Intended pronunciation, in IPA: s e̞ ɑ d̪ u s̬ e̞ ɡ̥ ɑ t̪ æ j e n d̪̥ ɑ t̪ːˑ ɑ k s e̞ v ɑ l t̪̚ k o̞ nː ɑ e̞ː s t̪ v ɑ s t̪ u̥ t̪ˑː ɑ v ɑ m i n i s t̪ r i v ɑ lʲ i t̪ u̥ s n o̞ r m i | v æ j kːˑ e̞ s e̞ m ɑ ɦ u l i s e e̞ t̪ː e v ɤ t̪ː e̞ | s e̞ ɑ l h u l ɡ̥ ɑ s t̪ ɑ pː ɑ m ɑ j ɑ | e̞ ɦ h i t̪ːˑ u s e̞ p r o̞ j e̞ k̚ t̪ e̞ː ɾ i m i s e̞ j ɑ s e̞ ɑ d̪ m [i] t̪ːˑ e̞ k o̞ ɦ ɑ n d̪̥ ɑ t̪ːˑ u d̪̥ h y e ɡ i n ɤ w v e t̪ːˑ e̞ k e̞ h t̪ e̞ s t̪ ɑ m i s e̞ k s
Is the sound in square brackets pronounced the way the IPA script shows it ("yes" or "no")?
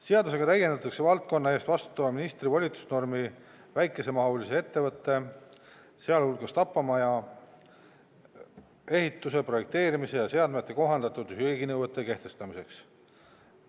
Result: no